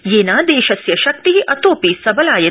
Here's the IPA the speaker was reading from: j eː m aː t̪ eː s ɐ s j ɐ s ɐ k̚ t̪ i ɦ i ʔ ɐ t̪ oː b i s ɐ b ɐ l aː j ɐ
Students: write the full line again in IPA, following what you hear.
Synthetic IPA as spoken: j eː n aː d̪ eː ʃ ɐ s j ɐ ʃ ɐ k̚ t̪ i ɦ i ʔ ɐ t̪ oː p i s ɐ b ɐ l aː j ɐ